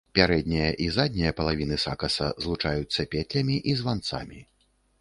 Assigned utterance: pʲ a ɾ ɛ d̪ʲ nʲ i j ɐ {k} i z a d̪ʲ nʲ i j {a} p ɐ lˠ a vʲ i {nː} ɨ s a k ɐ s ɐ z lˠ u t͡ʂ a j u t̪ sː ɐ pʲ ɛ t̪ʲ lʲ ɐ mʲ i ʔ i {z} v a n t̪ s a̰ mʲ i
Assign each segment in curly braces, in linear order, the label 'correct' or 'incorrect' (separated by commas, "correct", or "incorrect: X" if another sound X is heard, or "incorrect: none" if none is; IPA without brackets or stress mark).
incorrect: ʔ, incorrect: ɐ, incorrect: n, correct